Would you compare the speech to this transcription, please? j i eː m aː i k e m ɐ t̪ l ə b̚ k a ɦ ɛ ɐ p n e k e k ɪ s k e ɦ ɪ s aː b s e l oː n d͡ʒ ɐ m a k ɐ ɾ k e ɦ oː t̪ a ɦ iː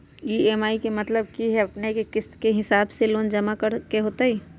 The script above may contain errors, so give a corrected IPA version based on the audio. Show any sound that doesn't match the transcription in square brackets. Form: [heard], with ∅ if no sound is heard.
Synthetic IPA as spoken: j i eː m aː i k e m ɐ t̪ l ə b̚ k [i] ɦ ɛ ɐ p n e k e k ɪ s k e ɦ ɪ s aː b s e l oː n d͡ʒ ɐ m a k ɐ ɾ k e ɦ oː t̪ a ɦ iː